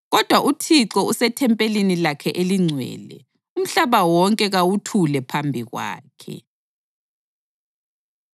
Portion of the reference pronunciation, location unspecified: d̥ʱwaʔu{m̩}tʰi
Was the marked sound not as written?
yes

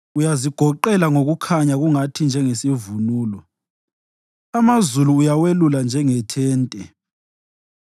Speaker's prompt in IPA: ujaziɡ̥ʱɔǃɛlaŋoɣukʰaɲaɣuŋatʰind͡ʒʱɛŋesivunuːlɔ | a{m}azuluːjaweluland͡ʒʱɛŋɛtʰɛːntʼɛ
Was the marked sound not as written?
no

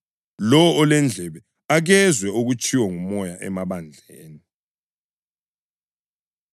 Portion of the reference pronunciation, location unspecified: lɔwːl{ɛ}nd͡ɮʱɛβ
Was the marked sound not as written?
no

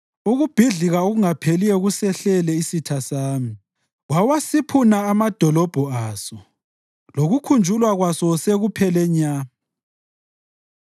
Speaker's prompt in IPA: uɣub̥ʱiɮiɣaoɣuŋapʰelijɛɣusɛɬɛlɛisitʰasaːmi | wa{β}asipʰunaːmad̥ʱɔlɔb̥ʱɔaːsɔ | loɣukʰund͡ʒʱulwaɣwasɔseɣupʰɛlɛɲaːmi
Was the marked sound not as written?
yes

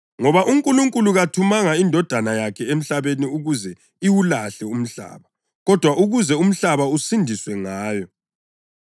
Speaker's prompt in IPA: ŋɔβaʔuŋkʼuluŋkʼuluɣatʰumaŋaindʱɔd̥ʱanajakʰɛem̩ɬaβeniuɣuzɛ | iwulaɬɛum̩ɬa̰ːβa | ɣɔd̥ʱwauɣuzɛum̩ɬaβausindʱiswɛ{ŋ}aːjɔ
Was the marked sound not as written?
no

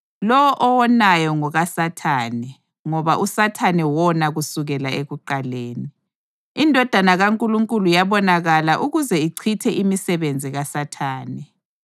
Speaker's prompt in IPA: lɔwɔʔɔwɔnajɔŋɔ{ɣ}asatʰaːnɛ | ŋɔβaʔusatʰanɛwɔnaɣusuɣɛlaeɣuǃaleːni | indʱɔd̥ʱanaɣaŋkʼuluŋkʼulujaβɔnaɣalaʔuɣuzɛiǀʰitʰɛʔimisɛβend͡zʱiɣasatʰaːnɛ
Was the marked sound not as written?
no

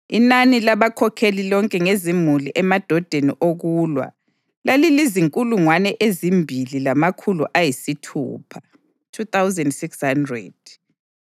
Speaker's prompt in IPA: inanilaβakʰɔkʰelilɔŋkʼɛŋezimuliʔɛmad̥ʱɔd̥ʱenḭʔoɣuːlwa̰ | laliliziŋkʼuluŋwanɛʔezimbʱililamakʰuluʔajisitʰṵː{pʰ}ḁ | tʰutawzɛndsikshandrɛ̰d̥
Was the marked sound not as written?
no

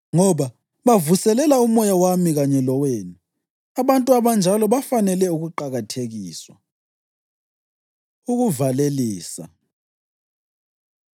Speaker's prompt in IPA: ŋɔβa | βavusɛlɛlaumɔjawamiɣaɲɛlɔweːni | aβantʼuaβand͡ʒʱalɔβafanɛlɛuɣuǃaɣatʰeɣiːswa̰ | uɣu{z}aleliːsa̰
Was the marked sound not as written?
yes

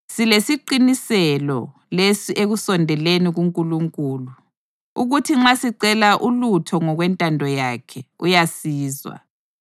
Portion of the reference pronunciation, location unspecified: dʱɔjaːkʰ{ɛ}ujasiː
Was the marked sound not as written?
no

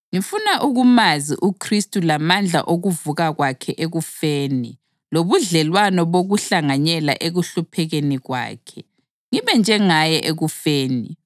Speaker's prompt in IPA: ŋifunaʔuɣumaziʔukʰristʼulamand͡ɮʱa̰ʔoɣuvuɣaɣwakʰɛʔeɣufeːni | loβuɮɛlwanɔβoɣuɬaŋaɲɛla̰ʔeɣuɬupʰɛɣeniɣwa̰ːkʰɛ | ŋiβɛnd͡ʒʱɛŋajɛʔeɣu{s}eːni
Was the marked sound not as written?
yes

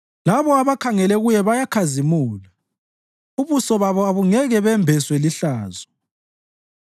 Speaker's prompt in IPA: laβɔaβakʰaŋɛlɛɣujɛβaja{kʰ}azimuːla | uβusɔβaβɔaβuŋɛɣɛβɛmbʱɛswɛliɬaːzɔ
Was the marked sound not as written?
no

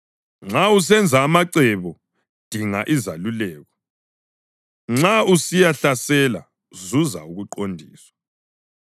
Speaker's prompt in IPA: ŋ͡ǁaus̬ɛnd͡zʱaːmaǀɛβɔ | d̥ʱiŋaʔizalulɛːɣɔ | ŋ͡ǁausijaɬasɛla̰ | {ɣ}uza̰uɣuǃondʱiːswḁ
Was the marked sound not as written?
yes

